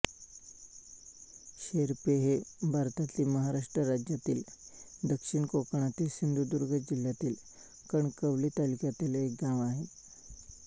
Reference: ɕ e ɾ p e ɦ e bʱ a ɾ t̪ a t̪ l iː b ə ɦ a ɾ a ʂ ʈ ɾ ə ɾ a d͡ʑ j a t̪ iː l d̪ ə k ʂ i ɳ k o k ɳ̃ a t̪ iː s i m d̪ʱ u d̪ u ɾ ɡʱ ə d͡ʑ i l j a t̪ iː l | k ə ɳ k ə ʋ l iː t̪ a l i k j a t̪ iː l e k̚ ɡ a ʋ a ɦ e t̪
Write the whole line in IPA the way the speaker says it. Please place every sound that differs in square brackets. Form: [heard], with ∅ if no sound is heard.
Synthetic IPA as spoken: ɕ e ɾ p e ɦ e bʱ a ɾ t̪ a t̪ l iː [m] ə ɦ a ɾ a ʂ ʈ ɾ ə ɾ a d͡ʑ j a t̪ iː l d̪ ə k ʂ i ɳ k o k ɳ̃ a t̪ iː s i [n] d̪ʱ u d̪ u ɾ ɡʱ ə d͡ʑ i l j a t̪ iː l | k ə ɳ k ə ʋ l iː t̪ a l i k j a t̪ iː l e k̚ ɡ a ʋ a ɦ e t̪

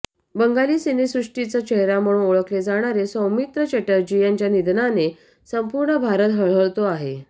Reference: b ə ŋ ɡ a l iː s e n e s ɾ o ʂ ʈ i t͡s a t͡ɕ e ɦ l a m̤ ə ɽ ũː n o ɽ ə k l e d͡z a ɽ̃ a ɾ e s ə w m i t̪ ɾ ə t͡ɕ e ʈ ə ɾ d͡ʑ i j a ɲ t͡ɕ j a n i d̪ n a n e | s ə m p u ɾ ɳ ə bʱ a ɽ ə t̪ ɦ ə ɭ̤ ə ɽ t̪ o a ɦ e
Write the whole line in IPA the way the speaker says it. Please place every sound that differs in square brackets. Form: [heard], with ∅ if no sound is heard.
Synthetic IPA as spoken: b ə ŋ ɡ a l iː s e n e s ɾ [u] ʂ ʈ i t͡s a t͡ɕ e ɦ [ɾ] a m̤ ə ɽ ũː n o [ɭ] ə k l e d͡z a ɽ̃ a ɾ e s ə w m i t̪ ɾ ə t͡ɕ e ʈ ə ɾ d͡ʑ i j a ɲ t͡ɕ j a n i d̪ n a n e | s ə m p u ɾ ɳ ə bʱ a [ɾ] ə t̪ ɦ ə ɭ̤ ə [ɭ] t̪ o a ɦ e

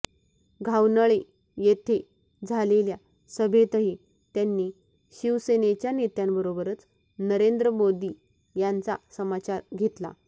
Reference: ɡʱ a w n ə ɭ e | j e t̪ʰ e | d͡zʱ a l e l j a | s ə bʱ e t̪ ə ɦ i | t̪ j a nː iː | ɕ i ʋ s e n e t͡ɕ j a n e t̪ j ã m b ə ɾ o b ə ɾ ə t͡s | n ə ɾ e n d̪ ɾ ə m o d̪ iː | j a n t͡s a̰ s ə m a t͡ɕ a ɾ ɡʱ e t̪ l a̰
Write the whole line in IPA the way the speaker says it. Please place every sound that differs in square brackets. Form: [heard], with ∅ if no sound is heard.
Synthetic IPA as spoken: ɡʱ a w n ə ɭ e | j e t̪ʰ e | d͡zʱ a l e l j a | s ə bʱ e t̪ ə ɦ i | t̪ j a nː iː | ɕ i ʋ s e n e t͡ɕ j a n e t̪ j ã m b ə ɾ o b ə ɾ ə t͡s | n ə ɾ e n d̪ ɾ ə m o d̪ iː | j a n t͡s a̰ s ə m a t͡ɕ a ɾ ɡʱ e t̪ l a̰

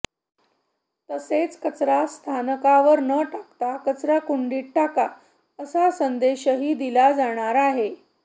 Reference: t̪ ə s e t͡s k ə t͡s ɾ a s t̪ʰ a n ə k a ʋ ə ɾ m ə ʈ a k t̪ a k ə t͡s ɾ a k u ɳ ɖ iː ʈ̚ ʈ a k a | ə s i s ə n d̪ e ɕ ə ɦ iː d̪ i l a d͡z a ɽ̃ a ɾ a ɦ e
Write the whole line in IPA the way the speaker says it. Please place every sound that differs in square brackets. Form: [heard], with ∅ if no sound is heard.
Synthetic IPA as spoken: t̪ ə s e t͡s k ə t͡s ɾ a s t̪ʰ a n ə k a ʋ ə ɾ [n] ə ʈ a k t̪ a k ə t͡s ɾ a k u ɳ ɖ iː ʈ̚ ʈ a k a | ə s [a] s ə n d̪ e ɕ ə ɦ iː d̪ i l a d͡z a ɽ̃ a ɾ a ɦ e

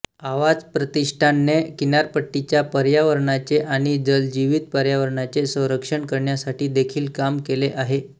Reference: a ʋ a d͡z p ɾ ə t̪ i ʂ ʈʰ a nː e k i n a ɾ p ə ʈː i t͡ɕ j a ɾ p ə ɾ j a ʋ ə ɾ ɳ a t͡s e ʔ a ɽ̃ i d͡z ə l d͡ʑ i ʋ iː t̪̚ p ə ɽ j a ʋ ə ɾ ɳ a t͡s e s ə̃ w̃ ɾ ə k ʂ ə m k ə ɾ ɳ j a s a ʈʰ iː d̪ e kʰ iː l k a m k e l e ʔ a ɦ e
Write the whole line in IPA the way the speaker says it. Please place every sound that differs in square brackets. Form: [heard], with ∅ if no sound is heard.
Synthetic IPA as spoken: a ʋ a d͡z p ɾ ə t̪ i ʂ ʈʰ a nː e k i n a ɾ p ə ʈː i t͡ɕ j a [∅] p ə ɾ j a ʋ ə ɾ ɳ a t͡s e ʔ a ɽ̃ i d͡z ə l d͡ʑ i ʋ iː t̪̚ p ə [ɾ] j a ʋ ə ɾ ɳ a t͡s e s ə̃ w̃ ɾ ə k ʂ ə [ɳ] k ə ɾ ɳ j a s a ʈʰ iː d̪ e kʰ iː l k a m k e l e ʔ a ɦ e

